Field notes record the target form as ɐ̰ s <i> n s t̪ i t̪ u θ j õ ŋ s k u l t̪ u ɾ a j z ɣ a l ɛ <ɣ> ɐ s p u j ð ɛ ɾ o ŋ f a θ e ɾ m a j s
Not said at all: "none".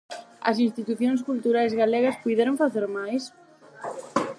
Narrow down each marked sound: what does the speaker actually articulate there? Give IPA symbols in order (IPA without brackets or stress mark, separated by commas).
i, ɣ